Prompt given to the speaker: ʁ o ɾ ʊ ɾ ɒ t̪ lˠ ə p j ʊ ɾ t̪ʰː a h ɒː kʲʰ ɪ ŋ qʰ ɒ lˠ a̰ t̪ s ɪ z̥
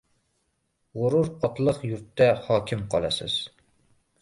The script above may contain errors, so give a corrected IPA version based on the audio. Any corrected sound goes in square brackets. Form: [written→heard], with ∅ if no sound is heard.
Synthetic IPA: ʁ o ɾ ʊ ɾ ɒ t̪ lˠ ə [p→q] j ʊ ɾ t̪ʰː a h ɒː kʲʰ ɪ [ŋ→m] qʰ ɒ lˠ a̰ [t̪→∅] s ɪ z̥